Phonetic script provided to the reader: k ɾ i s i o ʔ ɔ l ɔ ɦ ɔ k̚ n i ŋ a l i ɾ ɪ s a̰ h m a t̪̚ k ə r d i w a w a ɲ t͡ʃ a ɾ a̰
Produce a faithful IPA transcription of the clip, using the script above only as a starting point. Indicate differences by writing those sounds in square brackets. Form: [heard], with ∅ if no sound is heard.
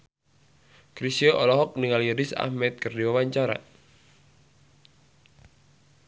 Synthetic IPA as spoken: k ɾ i s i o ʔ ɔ l ɔ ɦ ɔ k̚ n i ŋ a l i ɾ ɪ s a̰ h m [ɛ] t̪̚ k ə r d i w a w a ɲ t͡ʃ a ɾ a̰